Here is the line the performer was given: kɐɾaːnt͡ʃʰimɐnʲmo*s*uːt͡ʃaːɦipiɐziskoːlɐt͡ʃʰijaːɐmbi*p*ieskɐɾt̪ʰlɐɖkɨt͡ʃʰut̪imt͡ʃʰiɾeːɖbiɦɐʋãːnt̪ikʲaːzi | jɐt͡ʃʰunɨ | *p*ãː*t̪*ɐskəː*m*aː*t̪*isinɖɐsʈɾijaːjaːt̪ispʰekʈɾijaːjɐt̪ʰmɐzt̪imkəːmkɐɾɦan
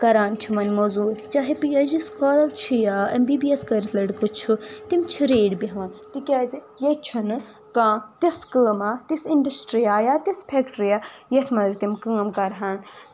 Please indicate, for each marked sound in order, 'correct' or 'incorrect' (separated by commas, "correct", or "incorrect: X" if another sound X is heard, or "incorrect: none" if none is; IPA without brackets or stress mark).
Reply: incorrect: z, incorrect: b, incorrect: k, correct, correct, correct